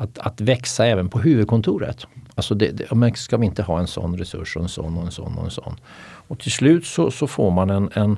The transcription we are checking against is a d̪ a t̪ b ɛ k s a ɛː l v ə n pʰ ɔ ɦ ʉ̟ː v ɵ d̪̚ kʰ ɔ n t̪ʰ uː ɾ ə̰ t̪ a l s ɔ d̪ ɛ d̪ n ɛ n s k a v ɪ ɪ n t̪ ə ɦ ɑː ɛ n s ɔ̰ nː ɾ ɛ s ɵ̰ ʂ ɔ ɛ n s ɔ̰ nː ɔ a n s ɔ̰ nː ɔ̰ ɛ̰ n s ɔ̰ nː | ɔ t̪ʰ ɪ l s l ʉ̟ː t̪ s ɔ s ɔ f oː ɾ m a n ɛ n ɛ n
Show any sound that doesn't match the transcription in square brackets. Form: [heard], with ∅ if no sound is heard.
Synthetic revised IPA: a [t̪] a t̪ [v] ɛ k s a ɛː [∅] v ə n pʰ ɔ ɦ ʉ̟ː v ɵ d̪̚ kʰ ɔ n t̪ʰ uː ɾ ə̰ t̪ a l s ɔ d̪ ɛ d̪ [m] ɛ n s k a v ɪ ɪ n t̪ ə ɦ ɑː ɛ n s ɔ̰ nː ɾ ɛ s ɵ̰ ʂ ɔ ɛ n s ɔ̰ nː ɔ [ɛ] n s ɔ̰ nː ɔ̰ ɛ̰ n s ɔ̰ nː | ɔ t̪ʰ ɪ l s l ʉ̟ː t̪ s ɔ s ɔ f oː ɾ m a n ɛ n ɛ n